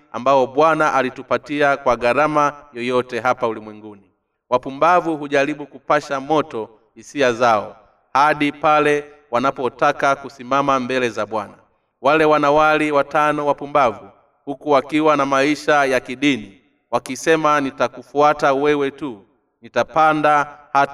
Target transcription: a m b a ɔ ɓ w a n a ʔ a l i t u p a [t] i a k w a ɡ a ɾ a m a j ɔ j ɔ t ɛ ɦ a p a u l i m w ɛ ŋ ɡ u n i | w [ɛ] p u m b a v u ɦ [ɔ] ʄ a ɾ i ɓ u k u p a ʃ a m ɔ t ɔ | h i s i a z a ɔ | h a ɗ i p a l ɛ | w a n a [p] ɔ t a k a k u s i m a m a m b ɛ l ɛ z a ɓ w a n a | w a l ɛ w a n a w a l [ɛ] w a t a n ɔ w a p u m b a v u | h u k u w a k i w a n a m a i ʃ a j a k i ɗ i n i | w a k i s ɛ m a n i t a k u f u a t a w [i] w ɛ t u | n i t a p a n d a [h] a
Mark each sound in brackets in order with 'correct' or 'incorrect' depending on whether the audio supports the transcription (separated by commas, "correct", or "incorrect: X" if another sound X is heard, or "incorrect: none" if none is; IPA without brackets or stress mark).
correct, incorrect: a, incorrect: u, correct, incorrect: i, incorrect: ɛ, correct